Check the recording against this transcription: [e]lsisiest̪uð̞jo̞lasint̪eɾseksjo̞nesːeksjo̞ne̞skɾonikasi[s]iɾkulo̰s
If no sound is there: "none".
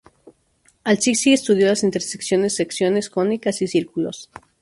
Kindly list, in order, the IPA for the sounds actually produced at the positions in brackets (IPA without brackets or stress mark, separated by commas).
a, s